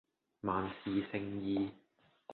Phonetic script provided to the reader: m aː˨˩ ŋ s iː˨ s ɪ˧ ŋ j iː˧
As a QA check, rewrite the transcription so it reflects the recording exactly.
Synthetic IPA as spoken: m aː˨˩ n s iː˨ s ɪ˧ ŋ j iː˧